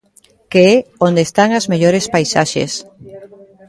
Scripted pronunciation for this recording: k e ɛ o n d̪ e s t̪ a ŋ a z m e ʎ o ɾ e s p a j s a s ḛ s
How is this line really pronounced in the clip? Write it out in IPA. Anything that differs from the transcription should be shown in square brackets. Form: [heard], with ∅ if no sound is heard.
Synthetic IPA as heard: k e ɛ o n d̪ e s t̪ a ŋ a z m e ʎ o ɾ e s p a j s a [ʃ] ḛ s